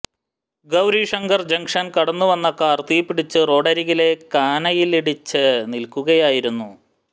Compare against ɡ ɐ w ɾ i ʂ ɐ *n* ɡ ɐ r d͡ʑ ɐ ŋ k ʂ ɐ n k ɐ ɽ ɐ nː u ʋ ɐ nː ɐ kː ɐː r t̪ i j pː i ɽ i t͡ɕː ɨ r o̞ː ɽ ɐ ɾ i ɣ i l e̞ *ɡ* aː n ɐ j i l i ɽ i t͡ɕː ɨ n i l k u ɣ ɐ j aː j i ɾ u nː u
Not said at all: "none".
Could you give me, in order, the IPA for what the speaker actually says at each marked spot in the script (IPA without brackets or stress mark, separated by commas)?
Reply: ŋ, k